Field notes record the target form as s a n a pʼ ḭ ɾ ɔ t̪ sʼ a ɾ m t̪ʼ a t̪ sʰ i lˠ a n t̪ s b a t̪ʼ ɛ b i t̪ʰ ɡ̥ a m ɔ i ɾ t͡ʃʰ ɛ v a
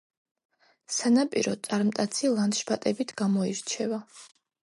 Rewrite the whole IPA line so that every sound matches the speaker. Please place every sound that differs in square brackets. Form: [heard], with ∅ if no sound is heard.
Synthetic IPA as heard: s a n a pʼ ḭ ɾ ɔ t̪ sʼ a ɾ m t̪ʼ a t̪ sʰ i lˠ a n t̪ [ʃ] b a t̪ʼ ɛ b i t̪ʰ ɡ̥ a m ɔ i ɾ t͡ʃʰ ɛ v a